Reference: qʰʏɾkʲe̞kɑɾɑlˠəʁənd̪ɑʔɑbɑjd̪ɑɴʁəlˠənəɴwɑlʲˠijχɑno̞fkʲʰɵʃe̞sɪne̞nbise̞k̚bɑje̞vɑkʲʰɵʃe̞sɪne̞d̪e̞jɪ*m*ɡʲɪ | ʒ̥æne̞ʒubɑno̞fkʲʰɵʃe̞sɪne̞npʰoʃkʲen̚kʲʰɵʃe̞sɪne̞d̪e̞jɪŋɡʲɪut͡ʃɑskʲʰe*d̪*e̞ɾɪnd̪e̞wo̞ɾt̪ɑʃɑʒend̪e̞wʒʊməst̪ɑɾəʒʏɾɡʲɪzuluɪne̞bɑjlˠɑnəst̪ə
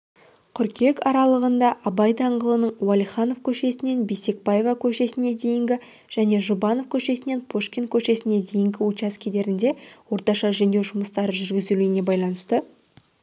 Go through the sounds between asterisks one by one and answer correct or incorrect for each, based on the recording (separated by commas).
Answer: incorrect, correct